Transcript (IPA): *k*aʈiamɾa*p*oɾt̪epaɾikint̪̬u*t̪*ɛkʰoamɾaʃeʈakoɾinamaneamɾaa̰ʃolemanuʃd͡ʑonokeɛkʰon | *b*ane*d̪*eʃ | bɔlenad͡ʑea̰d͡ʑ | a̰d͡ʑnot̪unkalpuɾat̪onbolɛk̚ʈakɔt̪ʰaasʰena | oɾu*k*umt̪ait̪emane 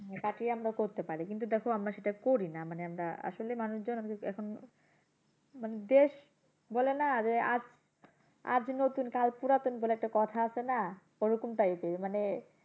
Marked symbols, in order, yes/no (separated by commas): yes, no, no, no, yes, yes